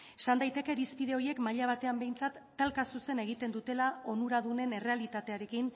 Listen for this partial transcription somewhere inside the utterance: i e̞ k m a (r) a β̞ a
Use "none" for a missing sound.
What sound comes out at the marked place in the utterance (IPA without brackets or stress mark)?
ʎ